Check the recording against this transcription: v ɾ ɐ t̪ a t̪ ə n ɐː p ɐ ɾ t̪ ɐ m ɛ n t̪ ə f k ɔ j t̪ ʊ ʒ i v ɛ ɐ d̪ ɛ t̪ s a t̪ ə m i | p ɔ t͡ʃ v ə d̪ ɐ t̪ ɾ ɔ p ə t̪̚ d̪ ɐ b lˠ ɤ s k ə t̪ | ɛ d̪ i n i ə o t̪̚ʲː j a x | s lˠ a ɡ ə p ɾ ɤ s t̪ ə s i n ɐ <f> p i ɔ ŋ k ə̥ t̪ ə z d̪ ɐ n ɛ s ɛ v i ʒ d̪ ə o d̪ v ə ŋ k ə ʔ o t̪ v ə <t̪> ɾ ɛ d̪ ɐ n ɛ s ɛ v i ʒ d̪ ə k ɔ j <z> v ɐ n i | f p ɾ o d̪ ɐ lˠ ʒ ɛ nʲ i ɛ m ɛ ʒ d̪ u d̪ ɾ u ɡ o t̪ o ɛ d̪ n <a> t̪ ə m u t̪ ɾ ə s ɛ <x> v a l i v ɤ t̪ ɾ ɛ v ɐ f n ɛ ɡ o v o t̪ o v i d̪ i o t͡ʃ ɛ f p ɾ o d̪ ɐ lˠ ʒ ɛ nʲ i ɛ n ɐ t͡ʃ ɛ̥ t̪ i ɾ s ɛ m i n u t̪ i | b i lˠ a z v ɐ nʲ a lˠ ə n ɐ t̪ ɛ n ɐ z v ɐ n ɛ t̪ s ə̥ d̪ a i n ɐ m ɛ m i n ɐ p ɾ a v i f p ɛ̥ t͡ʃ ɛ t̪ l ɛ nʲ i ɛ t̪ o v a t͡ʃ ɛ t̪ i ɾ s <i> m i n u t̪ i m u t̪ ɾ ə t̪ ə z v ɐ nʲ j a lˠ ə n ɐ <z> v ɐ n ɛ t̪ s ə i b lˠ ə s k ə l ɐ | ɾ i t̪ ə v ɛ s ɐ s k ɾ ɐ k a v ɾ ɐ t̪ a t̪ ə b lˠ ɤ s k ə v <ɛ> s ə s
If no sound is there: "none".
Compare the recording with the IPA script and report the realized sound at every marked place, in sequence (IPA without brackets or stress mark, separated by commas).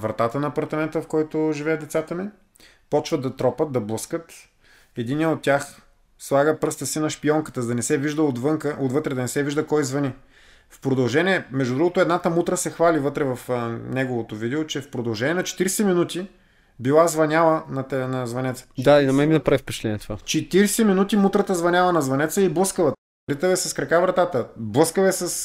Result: ʃ, t̪, z, a, x, ɛ, z, ɛ